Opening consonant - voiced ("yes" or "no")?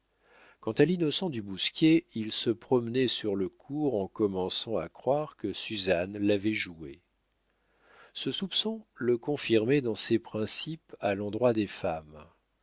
no